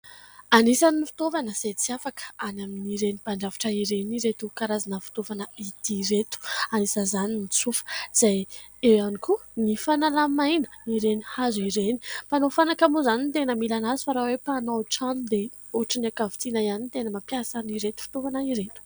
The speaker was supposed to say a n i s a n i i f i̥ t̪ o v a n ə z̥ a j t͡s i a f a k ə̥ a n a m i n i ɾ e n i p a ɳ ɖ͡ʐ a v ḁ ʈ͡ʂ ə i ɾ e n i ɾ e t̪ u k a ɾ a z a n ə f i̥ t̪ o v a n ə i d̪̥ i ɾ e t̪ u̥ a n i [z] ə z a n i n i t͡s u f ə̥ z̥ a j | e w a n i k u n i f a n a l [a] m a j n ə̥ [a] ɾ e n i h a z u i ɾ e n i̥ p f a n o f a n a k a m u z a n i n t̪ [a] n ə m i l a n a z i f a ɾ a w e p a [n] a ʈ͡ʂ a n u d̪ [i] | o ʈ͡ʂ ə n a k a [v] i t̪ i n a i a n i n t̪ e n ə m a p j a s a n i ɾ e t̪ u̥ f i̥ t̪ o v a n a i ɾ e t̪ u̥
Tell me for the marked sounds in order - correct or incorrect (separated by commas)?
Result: incorrect, correct, incorrect, incorrect, correct, incorrect, correct